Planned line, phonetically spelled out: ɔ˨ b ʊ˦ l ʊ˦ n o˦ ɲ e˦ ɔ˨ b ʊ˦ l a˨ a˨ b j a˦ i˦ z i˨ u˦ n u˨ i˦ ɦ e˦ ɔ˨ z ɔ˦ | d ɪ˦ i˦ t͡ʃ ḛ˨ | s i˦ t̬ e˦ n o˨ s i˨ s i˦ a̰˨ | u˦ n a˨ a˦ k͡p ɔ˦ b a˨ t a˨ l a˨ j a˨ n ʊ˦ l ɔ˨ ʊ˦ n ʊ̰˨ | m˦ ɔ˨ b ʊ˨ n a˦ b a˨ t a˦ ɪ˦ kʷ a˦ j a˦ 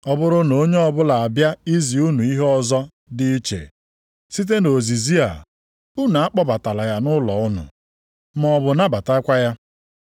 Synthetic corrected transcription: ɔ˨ b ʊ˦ ɾ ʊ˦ n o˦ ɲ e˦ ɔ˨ b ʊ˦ l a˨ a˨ b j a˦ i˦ z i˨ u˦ n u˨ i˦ ɦ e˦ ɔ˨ z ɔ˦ | d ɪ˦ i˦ t͡ʃ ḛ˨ | s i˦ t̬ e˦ n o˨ z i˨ z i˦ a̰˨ | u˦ n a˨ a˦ k͡p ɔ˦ b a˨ t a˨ l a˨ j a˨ n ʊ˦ l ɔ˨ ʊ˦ n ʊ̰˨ | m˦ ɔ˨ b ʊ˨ n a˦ b a˨ t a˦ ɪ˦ kʷ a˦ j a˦